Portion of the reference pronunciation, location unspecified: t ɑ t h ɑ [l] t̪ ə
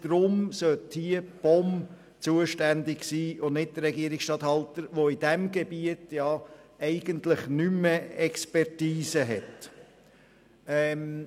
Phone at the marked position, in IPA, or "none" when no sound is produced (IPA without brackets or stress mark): l